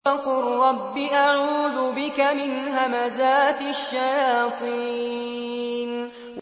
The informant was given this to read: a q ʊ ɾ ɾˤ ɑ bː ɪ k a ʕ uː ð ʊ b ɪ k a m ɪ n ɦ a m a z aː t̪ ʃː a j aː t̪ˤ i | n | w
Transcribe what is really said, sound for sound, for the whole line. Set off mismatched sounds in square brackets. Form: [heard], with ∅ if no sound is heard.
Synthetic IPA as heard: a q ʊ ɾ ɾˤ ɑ bː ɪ [ʔ] a ʕ uː ð ʊ b ɪ k a m ɪ n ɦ a m a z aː t̪ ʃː a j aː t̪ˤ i | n | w